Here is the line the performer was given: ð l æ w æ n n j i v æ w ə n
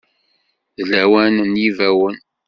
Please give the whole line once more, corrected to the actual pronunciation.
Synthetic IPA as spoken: ð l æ w æ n n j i v æ w ə n